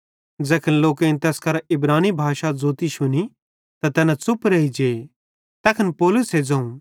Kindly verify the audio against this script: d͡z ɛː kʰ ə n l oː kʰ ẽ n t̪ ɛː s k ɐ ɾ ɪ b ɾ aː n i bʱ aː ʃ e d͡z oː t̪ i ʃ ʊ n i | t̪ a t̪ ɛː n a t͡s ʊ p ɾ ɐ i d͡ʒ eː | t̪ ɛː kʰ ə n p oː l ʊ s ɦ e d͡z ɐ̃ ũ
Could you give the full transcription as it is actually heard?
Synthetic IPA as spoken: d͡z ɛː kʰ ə n l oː k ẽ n t̪ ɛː s k ɐ ɾ ɪ b ɾ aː n i bʱ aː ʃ a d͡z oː t̪ i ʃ ʊ n i | t̪ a t̪ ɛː n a t͡s ʊ p ɾ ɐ i d͡ʒ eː | t̪ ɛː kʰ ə n p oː l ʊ s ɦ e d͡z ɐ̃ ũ